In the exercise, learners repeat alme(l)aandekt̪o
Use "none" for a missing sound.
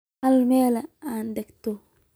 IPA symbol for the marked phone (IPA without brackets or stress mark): l